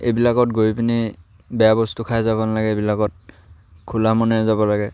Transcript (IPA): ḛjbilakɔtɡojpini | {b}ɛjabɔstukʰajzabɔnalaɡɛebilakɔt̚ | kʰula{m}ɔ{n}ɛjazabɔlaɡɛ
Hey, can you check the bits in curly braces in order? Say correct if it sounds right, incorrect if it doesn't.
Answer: correct, correct, correct

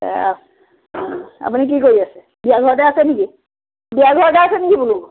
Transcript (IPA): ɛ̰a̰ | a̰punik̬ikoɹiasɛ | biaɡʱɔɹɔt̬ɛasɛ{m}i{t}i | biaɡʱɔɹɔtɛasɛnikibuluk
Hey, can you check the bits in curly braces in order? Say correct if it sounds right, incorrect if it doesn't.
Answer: incorrect: n, incorrect: k

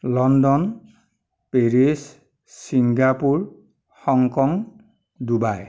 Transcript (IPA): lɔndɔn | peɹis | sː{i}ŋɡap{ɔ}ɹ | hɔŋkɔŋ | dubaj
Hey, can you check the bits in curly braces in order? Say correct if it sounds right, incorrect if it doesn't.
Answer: correct, incorrect: u

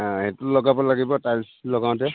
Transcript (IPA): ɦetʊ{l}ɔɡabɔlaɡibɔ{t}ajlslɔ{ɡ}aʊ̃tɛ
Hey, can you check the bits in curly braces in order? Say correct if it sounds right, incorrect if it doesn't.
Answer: correct, correct, correct

